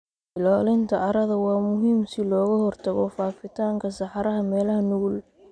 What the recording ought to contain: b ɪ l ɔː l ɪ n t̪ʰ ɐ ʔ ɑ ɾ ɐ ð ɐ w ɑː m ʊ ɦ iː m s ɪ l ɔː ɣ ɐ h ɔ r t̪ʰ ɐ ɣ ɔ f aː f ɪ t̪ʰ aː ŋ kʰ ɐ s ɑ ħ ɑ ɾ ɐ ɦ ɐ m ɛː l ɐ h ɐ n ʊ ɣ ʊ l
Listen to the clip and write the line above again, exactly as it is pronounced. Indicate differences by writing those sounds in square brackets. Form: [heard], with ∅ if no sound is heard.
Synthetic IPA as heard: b ɪ l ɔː l ɪ n t̪ʰ ɐ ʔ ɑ ɾ ɐ ð ɐ w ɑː m ʊ ɦ iː m s ɪ l ɔː ɣ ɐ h ɔ r t̪ʰ ɐ ɣ ɔ f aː f ɪ t̪ʰ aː ŋ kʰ ɐ s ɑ ħ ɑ ɾ ɐ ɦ ɐ m ɛː l ɐ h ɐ n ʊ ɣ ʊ l

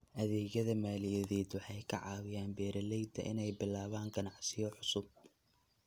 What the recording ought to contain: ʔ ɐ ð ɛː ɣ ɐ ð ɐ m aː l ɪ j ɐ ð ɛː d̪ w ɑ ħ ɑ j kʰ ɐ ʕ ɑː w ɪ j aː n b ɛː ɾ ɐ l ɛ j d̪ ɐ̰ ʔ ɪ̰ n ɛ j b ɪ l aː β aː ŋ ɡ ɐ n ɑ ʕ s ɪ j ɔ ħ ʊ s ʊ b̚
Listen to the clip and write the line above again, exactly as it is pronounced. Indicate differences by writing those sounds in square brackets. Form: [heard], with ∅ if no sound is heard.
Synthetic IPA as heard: ʔ ɐ ð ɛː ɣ ɐ ð ɐ m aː l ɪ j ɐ ð ɛː d̪ w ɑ ħ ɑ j kʰ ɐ ʕ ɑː w ɪ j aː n b ɛː ɾ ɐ l ɛ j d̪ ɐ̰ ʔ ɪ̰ n ɛ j b ɪ l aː β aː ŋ ɡ ɐ n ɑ ʕ s ɪ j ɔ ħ ʊ s ʊ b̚

